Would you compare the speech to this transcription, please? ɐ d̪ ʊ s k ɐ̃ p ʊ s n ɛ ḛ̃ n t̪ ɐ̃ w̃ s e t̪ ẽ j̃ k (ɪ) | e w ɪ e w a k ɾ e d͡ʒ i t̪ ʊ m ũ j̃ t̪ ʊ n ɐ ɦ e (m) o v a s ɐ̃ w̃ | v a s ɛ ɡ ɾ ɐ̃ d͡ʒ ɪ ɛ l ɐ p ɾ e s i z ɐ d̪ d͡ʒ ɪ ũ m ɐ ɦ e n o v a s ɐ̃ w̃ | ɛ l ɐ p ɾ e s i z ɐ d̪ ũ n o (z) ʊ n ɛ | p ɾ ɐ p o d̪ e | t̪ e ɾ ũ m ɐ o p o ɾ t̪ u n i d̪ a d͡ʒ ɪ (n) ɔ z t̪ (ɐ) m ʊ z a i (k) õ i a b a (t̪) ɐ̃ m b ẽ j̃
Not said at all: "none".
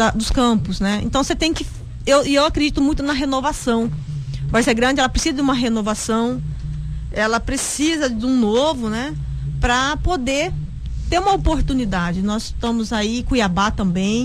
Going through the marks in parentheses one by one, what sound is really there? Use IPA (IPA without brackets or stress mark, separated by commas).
ɪ, n, v, n, ɐ̃, k, t̪